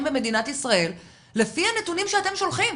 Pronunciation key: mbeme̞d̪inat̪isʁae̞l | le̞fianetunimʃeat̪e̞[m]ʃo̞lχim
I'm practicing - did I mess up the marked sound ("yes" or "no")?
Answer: no